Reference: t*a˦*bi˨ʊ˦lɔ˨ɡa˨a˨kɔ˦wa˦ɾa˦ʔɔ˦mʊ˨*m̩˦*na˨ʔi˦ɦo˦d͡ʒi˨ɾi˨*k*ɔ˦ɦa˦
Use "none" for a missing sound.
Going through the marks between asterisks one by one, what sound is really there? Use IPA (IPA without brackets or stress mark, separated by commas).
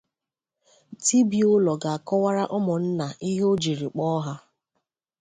i˦, n̩˦, k͡p